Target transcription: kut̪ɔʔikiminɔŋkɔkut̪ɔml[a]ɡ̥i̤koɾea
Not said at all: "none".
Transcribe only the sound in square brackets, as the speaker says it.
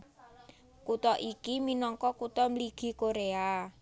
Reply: i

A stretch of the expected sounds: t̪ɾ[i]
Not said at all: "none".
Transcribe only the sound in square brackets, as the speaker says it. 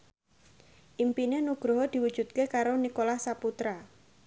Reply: a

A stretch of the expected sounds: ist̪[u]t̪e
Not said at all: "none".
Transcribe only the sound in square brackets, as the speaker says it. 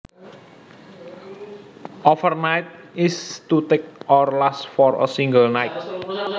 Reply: u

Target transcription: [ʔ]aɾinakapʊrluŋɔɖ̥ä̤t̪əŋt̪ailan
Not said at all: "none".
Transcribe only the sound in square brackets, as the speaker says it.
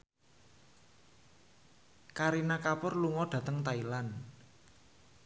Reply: k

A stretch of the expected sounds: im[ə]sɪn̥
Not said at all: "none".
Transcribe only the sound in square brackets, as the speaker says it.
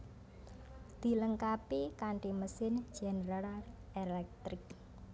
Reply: ə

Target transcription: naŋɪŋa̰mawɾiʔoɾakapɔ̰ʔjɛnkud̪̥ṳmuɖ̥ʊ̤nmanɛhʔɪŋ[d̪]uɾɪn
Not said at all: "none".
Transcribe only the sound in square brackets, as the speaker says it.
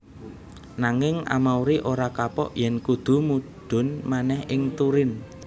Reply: t̪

